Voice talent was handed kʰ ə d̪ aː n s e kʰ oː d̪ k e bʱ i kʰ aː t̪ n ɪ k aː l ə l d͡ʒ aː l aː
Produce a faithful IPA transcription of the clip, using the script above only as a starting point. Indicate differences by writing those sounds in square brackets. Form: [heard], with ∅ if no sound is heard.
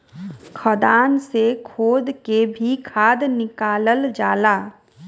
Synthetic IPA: kʰ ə d̪ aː n s e kʰ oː d̪ k e bʱ i kʰ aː [d̪] n ɪ k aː l ə l d͡ʒ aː l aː